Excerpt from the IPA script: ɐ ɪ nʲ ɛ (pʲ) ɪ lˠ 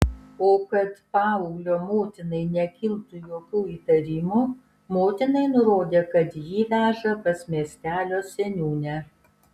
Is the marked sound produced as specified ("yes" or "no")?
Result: no